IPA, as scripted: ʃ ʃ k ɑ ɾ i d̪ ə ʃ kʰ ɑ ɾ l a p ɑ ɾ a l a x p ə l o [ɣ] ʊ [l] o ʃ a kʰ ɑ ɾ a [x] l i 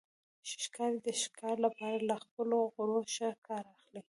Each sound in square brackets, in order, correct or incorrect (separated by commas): correct, incorrect, correct